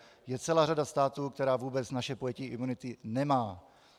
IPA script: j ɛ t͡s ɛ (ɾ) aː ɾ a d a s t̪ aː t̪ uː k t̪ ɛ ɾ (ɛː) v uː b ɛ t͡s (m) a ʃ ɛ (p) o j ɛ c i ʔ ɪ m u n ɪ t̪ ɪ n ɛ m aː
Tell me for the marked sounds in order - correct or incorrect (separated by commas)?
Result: incorrect, incorrect, incorrect, correct